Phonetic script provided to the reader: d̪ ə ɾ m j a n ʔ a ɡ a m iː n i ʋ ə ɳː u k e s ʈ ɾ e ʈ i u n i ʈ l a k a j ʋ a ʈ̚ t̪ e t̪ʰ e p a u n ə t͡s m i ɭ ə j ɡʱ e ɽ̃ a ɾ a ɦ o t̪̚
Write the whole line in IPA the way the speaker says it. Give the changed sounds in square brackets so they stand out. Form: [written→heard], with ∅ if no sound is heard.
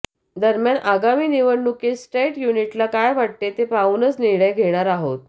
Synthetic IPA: d̪ ə ɾ m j a n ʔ a ɡ a m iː n i ʋ ə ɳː u k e s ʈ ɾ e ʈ [i→j] u n i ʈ l a k a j ʋ a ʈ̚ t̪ e [t̪ʰ→t̪] e p a u n ə t͡s [m→n] i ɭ ə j ɡʱ e ɽ̃ a ɾ a ɦ o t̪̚